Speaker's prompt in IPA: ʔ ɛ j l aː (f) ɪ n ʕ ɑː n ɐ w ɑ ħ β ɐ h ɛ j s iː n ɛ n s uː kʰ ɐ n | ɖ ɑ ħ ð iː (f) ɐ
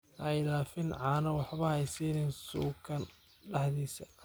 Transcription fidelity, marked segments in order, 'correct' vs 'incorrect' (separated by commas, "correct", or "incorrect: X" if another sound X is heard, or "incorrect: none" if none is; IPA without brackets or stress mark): correct, incorrect: s